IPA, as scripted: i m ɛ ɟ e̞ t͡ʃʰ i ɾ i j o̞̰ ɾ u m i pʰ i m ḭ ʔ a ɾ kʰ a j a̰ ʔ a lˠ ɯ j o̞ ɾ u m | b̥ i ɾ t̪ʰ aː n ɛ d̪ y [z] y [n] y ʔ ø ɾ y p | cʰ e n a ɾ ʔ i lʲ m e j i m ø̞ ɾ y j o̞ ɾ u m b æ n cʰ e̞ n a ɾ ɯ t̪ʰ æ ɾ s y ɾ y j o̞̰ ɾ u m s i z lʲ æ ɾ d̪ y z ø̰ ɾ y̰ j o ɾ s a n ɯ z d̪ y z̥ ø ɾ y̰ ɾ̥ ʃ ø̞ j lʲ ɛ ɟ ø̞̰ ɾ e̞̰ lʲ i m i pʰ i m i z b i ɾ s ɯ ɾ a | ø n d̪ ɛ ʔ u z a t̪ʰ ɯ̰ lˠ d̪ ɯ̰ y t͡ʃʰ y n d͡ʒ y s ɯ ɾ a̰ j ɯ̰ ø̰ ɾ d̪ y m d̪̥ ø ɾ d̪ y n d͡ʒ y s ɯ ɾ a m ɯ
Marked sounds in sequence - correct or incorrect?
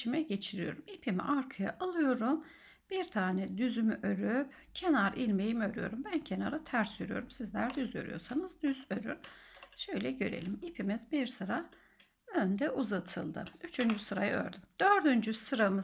correct, incorrect

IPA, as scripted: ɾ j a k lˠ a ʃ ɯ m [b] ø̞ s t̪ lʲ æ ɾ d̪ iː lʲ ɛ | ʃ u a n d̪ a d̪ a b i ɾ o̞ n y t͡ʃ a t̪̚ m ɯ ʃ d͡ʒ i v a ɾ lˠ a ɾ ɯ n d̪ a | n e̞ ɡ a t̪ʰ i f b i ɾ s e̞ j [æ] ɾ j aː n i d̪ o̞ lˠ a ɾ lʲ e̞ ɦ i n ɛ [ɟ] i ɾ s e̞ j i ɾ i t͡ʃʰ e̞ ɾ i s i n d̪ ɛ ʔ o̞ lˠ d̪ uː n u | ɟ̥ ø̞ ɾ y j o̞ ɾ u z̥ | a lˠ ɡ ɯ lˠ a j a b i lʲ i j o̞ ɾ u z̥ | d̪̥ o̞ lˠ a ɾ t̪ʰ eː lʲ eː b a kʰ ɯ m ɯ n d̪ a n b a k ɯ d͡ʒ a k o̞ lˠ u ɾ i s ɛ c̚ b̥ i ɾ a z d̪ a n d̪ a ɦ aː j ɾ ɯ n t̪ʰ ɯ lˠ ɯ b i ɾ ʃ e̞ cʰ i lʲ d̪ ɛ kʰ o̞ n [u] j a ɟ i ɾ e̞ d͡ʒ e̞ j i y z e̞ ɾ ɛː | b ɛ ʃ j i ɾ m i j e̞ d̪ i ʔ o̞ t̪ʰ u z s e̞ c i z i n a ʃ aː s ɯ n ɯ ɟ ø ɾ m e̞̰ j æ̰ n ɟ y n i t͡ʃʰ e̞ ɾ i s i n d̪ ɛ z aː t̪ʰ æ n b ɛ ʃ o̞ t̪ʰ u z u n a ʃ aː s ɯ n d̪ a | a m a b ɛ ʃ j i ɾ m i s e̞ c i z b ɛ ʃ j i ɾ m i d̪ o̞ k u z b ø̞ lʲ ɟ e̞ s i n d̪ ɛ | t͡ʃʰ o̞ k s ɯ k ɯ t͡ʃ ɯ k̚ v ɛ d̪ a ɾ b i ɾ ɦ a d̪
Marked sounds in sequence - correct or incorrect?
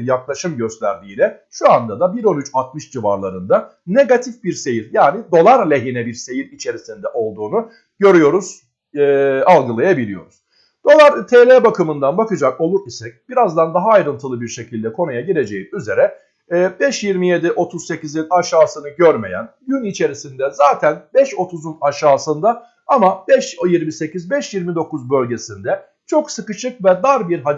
incorrect, incorrect, incorrect, correct

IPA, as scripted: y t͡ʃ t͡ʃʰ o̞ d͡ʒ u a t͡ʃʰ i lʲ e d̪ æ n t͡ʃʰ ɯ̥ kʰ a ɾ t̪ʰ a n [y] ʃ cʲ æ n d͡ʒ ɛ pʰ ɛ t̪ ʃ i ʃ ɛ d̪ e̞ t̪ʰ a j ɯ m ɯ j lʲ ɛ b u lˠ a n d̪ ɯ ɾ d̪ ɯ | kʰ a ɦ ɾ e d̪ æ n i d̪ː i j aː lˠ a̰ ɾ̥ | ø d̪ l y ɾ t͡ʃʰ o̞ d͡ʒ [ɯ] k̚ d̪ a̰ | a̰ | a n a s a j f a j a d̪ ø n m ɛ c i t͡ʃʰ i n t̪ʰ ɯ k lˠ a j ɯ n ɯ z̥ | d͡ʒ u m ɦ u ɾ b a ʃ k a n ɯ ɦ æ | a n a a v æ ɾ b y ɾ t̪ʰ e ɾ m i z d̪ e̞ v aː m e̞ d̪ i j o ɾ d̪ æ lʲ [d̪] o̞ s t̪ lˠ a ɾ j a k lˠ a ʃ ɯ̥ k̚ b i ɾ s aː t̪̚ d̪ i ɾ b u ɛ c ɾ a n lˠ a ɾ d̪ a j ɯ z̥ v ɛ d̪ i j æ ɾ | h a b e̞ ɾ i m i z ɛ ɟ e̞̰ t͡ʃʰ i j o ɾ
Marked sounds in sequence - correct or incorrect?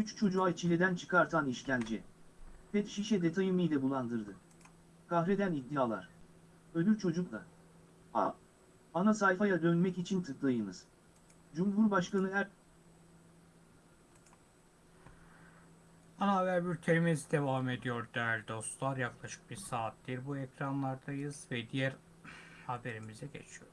incorrect, incorrect, correct

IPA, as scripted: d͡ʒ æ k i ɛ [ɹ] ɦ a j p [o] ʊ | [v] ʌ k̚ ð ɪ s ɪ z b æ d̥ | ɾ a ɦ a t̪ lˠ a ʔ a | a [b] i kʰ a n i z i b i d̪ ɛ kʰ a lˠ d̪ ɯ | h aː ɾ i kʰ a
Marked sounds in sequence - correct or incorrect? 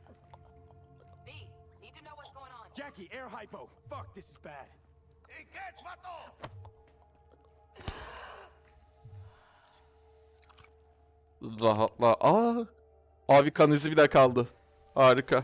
correct, correct, incorrect, incorrect

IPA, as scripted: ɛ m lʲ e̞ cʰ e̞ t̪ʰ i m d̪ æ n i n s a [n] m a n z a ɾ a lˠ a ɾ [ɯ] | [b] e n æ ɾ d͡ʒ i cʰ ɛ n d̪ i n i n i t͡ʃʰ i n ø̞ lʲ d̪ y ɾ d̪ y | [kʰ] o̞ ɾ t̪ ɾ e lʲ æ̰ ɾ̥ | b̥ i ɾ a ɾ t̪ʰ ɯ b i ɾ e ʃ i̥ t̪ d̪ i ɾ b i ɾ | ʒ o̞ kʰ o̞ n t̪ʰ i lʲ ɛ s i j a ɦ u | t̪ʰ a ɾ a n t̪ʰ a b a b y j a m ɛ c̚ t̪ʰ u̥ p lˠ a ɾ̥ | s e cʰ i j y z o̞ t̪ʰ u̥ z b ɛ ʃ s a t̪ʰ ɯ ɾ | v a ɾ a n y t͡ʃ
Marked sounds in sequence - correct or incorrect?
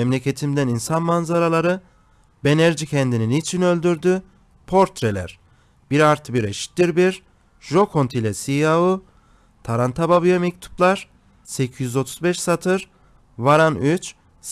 correct, correct, correct, incorrect

